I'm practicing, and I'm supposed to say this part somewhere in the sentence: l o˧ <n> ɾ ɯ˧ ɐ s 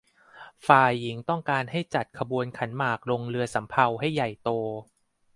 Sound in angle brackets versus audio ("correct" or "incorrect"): incorrect